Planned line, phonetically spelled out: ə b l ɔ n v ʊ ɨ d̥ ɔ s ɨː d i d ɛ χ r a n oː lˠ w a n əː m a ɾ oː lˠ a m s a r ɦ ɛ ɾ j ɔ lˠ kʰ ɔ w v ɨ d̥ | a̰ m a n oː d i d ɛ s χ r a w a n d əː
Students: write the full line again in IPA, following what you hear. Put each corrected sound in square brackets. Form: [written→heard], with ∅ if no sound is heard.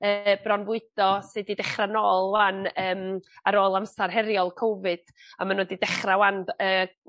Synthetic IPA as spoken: ə b [l→r] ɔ n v ʊ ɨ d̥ ɔ s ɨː d i d ɛ χ r a n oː lˠ w a n əː m a ɾ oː lˠ a m s a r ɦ ɛ ɾ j ɔ lˠ kʰ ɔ w v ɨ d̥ | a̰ m a n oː d i d ɛ [s→∅] χ r a w a n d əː